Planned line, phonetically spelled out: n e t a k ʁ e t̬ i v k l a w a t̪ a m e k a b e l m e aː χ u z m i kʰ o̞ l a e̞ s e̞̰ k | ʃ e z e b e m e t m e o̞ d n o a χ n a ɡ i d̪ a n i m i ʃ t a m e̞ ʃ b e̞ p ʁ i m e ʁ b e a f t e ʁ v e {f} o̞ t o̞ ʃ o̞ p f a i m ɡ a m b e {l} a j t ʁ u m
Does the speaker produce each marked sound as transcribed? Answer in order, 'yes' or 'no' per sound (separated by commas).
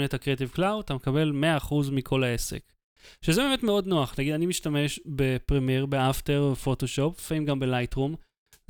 yes, yes